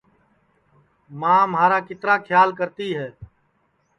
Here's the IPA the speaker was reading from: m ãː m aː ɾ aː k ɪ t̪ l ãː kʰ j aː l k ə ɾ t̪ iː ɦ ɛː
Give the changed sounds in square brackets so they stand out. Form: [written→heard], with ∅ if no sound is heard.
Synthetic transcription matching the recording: m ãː m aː ɾ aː k ɪ t̪ [l→ɾ] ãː kʰ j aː l k ə ɾ t̪ iː ɦ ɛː

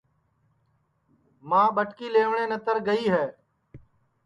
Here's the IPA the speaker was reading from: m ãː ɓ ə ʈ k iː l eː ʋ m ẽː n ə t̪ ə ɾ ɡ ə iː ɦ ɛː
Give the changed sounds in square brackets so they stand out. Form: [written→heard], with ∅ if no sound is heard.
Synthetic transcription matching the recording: m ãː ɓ ə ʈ k iː l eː ʋ [m→ɳ] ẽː n ə t̪ ə ɾ ɡ ə iː ɦ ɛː

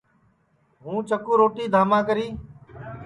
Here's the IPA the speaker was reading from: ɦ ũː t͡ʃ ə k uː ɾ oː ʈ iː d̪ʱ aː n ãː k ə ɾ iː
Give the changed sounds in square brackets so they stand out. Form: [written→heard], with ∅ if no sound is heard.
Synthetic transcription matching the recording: ɦ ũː t͡ʃ ə k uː ɾ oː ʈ iː d̪ʱ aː [n→m] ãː k ə ɾ iː

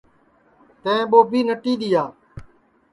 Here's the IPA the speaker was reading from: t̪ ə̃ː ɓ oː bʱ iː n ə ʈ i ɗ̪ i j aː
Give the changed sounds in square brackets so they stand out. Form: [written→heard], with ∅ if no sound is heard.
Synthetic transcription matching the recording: t̪ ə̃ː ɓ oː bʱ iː n ə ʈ [i→iː] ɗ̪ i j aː

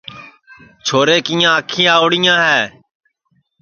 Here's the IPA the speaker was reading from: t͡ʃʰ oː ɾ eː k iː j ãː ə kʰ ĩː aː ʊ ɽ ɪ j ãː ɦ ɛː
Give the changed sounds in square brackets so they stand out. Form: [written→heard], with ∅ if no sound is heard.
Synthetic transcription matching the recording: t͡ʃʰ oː ɾ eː k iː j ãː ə kʰ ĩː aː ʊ ɽ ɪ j ãː ɦ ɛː

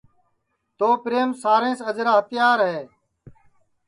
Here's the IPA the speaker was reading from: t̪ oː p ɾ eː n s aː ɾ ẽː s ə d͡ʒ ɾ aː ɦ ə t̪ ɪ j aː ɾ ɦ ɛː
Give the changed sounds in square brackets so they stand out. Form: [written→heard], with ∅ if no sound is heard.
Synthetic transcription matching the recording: t̪ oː p ɾ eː [n→m] s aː ɾ ẽː s ə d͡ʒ ɾ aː ɦ ə t̪ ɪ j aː ɾ ɦ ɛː

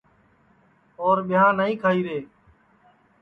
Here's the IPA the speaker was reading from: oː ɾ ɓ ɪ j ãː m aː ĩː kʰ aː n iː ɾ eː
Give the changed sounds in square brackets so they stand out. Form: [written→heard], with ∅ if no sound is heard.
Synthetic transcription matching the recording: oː ɾ ɓ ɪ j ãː [m→n] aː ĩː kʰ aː [n→∅] iː ɾ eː

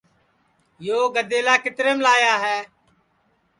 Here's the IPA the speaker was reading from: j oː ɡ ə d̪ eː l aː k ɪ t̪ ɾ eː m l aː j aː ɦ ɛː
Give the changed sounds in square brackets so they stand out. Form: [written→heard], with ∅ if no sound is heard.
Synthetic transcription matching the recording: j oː ɡ ə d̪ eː l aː k ɪ t̪ ɾ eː m l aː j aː ɦ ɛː

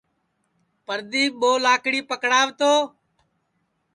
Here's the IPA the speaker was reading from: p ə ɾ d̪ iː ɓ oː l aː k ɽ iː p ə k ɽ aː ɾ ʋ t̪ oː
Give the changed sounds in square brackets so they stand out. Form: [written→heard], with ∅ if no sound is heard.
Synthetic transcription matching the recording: p ə ɾ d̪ iː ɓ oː l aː k ɽ iː p ə k ɽ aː [ɾ→∅] ʋ t̪ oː

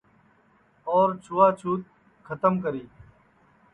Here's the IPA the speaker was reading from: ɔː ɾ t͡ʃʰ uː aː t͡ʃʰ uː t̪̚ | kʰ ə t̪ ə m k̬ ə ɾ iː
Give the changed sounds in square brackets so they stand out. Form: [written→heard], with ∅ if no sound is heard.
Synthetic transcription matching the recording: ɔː ɾ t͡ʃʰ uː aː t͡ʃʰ uː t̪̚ | kʰ ə t̪ ə m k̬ ə ɾ iː

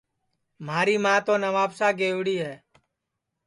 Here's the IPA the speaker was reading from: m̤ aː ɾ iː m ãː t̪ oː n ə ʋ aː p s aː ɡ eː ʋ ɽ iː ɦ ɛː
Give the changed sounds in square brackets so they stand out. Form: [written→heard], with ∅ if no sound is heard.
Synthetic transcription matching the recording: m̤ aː ɾ iː m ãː t̪ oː n ə ʋ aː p s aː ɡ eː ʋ ɽ iː ɦ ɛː

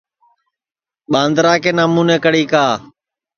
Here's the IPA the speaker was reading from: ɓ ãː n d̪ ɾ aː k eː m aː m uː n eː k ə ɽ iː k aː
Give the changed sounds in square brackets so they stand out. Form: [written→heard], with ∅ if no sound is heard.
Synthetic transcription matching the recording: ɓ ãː n d̪ ɾ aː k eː [m→n] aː m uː n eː k ə ɽ iː k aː

